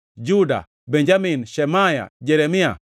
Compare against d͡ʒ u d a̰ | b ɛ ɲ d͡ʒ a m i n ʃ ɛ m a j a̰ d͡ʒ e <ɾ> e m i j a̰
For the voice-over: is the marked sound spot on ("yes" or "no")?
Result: yes